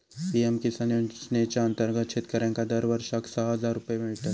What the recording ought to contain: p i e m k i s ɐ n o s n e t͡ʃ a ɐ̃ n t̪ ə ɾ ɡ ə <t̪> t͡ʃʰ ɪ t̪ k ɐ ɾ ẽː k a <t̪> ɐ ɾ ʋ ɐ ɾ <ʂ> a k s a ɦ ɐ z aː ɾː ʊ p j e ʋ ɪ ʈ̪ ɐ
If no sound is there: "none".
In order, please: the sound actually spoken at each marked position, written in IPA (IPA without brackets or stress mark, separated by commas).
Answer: t̪, d̪, ʃ